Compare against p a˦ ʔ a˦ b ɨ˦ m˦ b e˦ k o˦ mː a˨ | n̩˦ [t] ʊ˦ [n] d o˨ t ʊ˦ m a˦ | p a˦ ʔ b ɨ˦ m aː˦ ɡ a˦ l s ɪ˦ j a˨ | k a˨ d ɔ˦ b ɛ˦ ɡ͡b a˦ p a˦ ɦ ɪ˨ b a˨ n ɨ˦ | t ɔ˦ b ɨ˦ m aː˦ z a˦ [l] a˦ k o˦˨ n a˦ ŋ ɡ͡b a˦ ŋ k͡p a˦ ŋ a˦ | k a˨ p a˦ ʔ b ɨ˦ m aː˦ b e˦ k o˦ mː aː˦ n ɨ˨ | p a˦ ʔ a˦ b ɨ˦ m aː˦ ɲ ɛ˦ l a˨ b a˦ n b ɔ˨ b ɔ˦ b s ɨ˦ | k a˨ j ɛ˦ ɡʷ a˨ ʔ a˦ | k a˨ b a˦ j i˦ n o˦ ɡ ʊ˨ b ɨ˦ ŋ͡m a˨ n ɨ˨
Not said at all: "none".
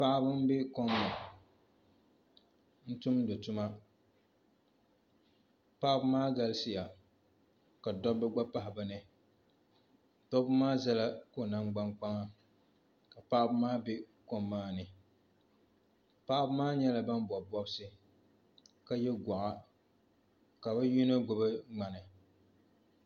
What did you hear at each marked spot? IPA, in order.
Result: t, m, l

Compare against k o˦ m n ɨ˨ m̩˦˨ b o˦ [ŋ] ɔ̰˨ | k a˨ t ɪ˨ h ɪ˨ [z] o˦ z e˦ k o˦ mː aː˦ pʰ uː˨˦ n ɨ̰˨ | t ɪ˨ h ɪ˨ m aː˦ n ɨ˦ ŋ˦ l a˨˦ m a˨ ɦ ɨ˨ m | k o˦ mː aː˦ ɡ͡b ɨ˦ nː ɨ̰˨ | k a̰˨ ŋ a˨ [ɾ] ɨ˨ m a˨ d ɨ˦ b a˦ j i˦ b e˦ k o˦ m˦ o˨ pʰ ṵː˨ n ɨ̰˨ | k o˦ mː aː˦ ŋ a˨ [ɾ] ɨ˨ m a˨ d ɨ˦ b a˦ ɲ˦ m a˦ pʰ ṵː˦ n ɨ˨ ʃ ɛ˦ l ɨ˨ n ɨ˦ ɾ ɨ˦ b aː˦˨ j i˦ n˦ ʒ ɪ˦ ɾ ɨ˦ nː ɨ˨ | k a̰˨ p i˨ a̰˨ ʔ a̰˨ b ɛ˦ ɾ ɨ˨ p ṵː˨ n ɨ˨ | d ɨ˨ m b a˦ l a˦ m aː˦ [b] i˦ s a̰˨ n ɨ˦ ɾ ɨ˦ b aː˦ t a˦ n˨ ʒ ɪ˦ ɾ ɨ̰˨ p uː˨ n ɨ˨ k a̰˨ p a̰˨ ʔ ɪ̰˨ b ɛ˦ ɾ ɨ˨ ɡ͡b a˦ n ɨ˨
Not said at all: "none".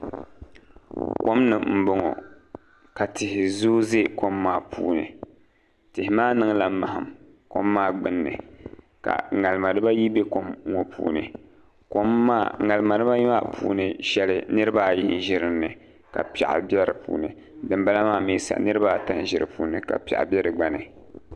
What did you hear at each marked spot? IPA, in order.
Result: ŋ, z, l, l, m

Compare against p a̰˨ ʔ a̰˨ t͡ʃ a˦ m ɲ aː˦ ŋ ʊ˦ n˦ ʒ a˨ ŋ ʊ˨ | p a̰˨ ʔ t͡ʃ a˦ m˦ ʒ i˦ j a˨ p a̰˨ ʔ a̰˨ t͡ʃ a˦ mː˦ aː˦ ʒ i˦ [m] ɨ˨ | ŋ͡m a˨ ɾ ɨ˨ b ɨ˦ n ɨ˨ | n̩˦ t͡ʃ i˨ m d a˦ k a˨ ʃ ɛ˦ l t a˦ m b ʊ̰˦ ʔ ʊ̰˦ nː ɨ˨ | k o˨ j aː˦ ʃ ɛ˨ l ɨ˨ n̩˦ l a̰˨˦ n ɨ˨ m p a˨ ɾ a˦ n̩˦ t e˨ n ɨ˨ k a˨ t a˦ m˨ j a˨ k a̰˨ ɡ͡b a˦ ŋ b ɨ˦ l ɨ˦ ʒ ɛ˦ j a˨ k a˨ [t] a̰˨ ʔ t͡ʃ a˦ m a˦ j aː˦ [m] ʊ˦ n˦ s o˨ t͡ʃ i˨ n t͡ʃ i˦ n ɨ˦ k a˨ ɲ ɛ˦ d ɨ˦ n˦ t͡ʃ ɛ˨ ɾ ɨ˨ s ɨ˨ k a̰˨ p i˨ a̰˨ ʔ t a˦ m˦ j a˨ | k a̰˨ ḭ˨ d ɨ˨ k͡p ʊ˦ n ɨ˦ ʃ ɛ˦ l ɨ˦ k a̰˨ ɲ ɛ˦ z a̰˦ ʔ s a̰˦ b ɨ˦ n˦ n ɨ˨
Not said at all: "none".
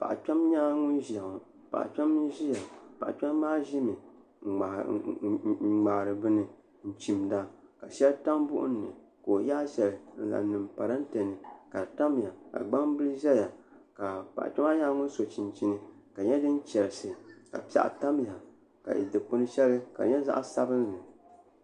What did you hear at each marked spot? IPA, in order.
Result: m, p, ŋ

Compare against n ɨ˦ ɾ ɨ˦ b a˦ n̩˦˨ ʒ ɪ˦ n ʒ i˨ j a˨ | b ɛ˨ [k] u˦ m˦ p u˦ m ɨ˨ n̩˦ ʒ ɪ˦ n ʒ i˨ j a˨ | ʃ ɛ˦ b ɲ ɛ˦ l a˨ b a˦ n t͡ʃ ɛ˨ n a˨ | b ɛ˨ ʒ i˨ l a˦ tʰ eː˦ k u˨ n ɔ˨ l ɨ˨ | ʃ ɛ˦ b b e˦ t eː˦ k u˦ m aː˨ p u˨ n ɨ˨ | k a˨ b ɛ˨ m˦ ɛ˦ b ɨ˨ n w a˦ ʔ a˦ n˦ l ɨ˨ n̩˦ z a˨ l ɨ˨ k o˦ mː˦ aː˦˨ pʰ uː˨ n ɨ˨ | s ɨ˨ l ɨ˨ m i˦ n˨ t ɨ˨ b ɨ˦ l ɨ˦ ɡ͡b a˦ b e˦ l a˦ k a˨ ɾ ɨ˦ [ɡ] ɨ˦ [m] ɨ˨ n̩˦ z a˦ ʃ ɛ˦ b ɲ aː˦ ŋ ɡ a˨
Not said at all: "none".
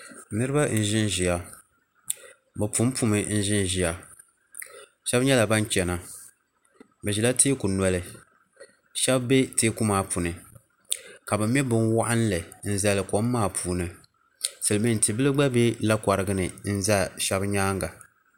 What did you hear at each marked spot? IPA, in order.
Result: p, ɡ, n

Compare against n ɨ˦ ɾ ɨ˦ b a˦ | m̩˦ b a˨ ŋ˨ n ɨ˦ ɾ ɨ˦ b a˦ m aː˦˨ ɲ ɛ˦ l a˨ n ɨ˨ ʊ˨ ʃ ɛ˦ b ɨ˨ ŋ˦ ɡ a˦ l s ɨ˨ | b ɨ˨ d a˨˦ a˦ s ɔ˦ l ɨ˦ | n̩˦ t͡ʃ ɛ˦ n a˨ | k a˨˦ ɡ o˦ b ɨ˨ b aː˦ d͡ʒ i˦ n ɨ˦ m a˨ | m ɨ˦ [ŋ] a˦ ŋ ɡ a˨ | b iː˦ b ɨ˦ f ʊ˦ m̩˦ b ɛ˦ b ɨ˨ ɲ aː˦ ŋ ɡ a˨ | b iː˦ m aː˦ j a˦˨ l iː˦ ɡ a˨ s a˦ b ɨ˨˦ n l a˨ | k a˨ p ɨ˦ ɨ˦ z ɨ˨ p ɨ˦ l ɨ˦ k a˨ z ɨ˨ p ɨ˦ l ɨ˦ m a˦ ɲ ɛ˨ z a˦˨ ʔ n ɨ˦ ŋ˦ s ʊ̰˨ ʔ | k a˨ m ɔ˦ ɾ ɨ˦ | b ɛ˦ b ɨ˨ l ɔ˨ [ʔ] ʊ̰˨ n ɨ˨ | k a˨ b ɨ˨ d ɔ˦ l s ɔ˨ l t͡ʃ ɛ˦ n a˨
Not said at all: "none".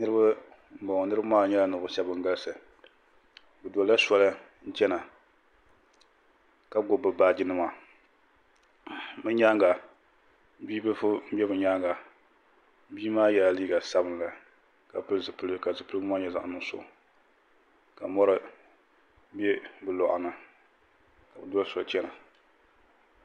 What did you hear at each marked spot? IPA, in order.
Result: ɲ, ʔ

